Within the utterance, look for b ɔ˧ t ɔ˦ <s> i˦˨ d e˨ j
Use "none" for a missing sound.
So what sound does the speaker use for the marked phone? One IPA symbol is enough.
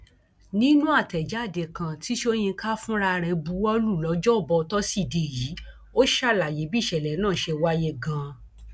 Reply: s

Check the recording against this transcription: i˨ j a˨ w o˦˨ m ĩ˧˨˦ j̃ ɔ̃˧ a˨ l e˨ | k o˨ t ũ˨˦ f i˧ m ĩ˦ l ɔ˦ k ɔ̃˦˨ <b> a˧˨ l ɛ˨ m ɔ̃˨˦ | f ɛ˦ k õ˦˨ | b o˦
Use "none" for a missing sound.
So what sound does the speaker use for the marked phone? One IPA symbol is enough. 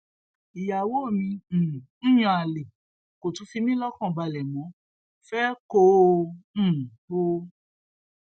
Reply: b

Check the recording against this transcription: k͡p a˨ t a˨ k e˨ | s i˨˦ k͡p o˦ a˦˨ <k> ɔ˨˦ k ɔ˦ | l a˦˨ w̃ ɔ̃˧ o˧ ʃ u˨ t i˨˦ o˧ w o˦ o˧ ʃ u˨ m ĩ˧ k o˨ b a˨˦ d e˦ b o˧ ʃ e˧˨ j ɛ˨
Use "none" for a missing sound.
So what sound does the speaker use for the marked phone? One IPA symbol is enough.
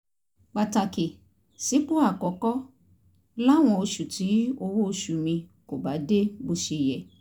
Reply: k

